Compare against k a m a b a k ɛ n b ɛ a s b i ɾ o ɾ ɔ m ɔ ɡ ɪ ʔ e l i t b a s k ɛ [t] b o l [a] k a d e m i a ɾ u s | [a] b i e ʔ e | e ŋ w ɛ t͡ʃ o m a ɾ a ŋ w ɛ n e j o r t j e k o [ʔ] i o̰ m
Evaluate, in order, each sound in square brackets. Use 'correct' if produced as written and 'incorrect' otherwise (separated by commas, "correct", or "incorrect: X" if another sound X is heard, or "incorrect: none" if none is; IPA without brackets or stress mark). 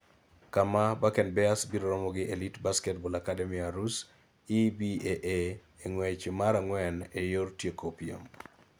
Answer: correct, correct, incorrect: i, incorrect: p